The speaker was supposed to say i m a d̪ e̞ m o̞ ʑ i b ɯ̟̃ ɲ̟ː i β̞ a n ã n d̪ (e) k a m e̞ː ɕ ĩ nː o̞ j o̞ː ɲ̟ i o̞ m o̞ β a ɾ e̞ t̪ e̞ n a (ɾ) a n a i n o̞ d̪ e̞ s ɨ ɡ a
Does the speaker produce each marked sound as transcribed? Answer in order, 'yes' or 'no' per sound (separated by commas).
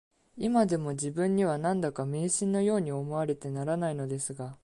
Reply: no, yes